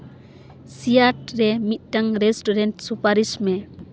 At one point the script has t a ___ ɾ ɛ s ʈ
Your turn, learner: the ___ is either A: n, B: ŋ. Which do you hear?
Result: B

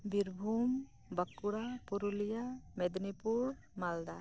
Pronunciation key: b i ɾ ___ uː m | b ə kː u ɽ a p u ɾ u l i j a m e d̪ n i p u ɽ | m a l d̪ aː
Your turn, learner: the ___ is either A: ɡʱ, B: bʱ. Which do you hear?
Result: B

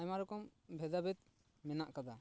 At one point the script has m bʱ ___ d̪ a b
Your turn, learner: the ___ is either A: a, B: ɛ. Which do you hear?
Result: B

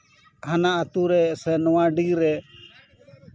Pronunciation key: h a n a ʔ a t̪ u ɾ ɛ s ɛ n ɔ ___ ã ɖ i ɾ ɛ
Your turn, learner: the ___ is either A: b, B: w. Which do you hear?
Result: B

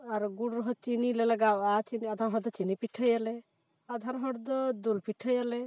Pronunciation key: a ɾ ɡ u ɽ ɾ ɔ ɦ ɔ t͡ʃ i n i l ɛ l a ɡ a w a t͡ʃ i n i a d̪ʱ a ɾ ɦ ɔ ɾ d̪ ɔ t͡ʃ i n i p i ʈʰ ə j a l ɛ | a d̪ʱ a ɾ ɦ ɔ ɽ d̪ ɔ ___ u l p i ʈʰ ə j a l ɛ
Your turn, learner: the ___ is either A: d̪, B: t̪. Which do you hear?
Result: A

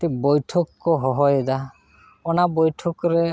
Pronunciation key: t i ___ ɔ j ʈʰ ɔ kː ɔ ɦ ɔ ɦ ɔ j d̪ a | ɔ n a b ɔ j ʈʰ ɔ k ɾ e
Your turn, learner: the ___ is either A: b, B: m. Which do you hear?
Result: A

